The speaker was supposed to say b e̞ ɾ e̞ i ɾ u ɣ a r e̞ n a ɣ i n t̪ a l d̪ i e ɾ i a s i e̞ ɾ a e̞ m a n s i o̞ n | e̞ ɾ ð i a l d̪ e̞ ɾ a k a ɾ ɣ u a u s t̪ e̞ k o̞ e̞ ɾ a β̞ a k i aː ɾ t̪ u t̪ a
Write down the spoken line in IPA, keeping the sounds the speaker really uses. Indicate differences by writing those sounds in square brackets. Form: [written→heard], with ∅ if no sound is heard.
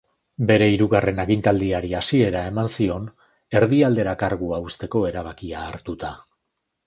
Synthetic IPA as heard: b e̞ ɾ e̞ i ɾ u ɣ a r e̞ n a ɣ i n t̪ a l d̪ i [e→a] ɾ i a s i e̞ ɾ a e̞ m a n s i o̞ n | e̞ ɾ ð i a l d̪ e̞ ɾ a k a ɾ ɣ u a u s t̪ e̞ k o̞ e̞ ɾ a β̞ a k i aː ɾ t̪ u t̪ a